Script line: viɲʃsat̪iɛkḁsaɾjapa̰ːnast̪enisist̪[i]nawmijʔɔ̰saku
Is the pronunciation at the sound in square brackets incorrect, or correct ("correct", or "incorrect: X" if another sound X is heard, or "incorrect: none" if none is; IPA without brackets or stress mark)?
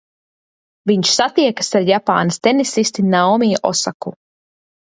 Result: correct